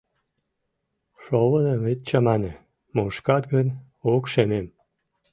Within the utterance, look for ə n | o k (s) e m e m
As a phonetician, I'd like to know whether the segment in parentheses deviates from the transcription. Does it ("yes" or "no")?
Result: yes